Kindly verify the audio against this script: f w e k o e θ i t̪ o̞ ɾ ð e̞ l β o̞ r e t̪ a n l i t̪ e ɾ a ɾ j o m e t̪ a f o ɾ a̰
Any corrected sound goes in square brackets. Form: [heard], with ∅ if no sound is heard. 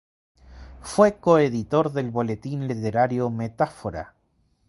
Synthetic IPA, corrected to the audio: f w e k o e [ð] i t̪ o̞ ɾ ð e̞ l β o̞ [l] e t̪ [i] n l i t̪ e ɾ a ɾ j o m e t̪ a f o ɾ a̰